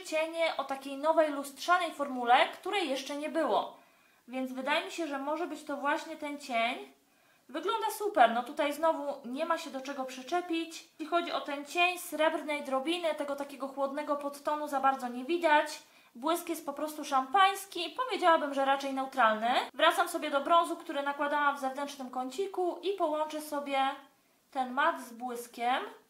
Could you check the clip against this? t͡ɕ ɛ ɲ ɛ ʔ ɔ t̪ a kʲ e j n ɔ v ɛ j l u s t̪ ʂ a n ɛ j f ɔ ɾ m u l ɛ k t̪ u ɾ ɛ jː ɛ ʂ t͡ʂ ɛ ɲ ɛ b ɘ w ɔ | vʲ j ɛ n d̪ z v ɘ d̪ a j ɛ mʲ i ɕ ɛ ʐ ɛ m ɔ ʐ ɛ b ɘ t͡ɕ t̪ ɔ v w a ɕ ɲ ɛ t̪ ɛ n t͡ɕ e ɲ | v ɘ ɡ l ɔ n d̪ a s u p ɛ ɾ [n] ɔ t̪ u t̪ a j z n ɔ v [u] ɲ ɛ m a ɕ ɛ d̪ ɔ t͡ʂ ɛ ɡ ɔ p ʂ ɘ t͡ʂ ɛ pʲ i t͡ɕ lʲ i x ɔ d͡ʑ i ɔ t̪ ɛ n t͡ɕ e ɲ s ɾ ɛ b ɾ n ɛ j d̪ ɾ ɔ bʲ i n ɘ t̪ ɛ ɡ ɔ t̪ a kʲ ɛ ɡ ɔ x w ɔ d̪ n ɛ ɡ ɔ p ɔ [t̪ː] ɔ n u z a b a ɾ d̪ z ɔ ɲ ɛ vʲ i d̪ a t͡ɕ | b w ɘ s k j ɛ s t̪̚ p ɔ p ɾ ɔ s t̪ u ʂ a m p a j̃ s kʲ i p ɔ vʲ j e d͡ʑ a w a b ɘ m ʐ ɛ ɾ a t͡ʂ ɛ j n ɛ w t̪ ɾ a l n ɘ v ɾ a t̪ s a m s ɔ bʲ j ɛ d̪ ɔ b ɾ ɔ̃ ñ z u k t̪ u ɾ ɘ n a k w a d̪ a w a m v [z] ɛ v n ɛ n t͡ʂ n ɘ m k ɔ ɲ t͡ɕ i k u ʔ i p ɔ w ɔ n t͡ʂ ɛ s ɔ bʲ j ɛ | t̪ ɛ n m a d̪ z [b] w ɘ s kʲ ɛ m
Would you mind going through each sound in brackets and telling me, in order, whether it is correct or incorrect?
correct, correct, correct, correct, correct

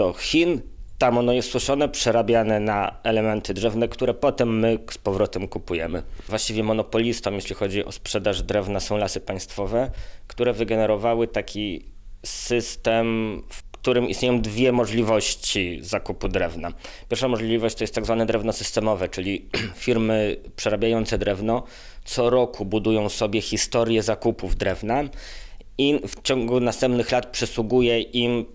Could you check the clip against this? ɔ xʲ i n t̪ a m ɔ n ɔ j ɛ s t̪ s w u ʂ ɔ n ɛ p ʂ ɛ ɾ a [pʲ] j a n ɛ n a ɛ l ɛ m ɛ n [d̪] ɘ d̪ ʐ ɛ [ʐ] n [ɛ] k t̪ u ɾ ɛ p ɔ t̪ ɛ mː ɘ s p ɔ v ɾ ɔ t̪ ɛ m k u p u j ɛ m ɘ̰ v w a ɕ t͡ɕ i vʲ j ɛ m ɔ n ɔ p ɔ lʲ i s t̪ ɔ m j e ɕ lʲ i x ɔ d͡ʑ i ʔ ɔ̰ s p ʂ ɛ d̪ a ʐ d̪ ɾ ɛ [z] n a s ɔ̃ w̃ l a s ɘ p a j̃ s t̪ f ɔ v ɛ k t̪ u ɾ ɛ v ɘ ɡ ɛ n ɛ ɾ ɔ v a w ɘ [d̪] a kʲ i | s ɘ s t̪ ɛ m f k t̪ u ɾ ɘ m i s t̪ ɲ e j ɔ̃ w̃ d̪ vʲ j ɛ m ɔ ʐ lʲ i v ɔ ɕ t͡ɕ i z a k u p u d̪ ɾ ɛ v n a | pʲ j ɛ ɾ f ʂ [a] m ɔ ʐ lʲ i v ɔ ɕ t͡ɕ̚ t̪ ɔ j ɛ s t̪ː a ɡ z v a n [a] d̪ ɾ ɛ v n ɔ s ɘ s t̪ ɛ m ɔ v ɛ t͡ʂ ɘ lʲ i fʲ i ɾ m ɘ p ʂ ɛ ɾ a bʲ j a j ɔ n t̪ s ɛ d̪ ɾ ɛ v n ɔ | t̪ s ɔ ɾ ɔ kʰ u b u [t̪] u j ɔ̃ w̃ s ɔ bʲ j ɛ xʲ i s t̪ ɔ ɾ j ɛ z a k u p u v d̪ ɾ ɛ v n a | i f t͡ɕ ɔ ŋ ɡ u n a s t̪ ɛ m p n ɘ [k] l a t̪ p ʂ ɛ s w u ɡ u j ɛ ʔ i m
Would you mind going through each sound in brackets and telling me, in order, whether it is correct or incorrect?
incorrect: bʲ, incorrect: t̪, incorrect: v, correct, incorrect: v, incorrect: t̪, correct, incorrect: ɛ, incorrect: d̪, incorrect: x

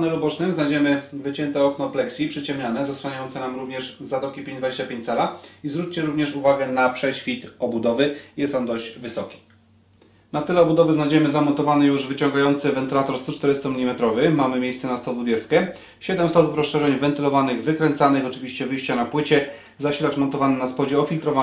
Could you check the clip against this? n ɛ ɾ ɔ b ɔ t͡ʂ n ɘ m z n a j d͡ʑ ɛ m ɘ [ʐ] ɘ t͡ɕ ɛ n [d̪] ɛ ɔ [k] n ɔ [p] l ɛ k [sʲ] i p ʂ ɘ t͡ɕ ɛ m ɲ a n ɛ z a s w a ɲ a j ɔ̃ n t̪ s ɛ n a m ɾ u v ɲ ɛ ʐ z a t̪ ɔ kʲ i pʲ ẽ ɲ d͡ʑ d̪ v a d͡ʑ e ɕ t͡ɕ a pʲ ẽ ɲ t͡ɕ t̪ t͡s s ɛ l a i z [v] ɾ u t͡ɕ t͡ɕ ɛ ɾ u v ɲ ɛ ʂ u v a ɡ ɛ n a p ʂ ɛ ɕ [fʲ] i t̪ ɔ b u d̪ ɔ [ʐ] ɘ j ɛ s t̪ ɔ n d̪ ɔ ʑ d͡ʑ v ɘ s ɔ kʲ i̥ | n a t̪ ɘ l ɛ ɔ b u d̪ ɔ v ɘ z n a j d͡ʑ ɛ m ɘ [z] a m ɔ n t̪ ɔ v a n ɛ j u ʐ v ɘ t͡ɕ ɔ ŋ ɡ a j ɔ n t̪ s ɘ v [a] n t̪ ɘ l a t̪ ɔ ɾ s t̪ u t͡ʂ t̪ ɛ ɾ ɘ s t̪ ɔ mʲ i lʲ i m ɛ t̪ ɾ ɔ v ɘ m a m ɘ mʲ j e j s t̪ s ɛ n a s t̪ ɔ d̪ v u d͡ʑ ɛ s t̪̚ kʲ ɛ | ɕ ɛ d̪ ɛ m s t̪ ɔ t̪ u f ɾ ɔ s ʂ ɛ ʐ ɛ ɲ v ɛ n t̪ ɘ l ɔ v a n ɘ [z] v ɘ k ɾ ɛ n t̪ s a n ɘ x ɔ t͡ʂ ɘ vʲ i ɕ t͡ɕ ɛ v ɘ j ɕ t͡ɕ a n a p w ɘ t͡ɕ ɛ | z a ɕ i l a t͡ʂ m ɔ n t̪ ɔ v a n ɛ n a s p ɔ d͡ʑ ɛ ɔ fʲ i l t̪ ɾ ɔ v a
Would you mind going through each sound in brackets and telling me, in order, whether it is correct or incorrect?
incorrect: v, incorrect: t̪, correct, correct, correct, correct, correct, incorrect: v, correct, incorrect: ɛ, incorrect: ɣ

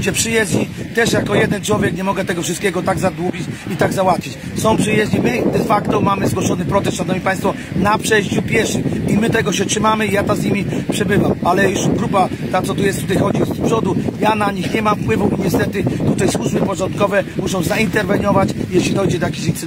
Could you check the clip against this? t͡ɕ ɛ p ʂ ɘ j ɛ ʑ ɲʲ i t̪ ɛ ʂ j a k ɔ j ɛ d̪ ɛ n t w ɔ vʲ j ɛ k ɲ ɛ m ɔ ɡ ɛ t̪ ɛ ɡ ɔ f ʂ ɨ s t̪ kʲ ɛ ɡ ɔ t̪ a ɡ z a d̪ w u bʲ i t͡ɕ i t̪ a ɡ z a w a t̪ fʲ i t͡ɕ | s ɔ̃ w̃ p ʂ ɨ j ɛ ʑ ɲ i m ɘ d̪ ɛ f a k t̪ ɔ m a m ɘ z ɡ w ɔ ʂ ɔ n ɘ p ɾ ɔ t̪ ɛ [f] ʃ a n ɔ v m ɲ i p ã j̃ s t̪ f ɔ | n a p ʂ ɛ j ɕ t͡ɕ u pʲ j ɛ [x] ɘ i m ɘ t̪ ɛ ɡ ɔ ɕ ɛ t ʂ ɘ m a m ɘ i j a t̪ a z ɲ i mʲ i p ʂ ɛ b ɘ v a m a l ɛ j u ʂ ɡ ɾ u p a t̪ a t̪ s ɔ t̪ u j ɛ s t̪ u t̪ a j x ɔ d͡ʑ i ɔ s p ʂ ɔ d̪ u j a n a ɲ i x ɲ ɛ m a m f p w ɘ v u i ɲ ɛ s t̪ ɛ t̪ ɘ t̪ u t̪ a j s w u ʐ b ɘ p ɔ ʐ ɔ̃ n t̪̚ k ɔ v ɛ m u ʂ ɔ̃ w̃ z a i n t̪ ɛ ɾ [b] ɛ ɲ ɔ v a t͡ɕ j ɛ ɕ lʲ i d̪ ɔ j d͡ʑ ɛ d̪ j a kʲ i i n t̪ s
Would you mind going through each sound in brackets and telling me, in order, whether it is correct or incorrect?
incorrect: s, incorrect: ʂ, incorrect: v

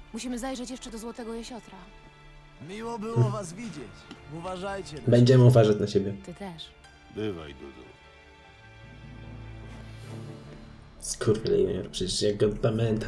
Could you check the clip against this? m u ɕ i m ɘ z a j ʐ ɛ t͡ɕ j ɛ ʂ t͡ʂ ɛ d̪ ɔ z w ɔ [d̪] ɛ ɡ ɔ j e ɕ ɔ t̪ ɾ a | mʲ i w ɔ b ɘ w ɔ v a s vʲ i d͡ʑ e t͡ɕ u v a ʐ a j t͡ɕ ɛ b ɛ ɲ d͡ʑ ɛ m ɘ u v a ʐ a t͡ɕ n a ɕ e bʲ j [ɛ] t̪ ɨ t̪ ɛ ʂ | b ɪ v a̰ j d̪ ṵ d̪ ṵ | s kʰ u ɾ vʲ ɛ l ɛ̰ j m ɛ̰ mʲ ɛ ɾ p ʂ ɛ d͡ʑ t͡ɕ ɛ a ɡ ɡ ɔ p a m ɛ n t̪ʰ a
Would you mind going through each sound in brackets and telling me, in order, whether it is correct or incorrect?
incorrect: t̪, correct

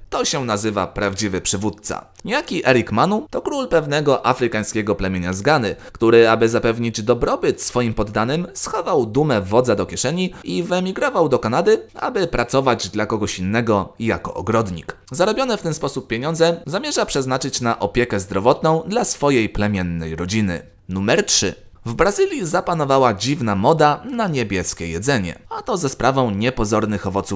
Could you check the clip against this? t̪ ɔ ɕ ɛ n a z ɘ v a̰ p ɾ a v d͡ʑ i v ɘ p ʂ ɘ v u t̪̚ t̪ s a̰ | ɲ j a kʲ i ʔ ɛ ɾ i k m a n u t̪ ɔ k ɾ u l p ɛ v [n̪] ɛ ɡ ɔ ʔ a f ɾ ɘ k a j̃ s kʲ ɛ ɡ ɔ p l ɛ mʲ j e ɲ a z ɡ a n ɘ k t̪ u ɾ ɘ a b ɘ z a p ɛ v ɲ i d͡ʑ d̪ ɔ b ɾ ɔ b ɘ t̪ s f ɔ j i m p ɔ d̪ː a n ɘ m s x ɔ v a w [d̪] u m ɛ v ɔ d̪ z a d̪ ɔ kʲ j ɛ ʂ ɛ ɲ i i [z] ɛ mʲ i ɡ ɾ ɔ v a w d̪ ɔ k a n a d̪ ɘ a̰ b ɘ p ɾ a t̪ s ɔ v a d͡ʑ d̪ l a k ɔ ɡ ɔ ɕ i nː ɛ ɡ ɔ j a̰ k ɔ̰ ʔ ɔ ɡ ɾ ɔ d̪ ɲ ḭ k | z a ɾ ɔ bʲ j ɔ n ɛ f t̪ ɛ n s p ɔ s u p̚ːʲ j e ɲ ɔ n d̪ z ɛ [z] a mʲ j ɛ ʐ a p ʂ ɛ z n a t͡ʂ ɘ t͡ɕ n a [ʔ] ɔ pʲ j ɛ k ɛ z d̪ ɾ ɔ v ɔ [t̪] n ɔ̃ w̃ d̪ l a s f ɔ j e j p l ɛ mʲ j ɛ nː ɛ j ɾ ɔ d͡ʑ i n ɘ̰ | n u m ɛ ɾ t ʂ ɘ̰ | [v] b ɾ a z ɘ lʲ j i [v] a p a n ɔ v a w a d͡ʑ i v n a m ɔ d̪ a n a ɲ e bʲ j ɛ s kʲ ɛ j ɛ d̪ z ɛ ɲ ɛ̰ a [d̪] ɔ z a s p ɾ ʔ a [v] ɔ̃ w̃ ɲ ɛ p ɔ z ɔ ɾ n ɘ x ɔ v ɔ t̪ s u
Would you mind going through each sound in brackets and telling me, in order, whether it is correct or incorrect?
correct, correct, incorrect: v, correct, correct, correct, correct, incorrect: z, incorrect: t̪, correct

